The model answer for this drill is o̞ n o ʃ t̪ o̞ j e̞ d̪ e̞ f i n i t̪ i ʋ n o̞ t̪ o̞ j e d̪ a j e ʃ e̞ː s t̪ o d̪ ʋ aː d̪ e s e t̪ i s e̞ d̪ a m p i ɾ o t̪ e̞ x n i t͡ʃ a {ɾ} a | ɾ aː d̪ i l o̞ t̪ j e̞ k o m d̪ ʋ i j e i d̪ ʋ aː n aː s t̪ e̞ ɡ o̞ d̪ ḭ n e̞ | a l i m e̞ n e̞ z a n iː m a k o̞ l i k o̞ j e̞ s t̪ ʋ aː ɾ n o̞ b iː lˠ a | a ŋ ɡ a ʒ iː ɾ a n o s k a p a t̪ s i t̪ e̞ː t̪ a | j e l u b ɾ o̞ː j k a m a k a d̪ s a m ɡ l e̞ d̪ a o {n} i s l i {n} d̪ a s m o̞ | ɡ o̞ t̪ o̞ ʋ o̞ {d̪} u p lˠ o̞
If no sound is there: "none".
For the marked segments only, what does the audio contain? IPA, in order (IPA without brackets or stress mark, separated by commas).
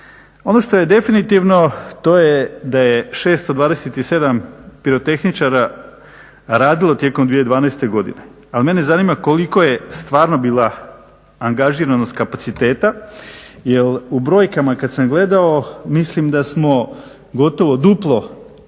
ɾ, m, m, d̪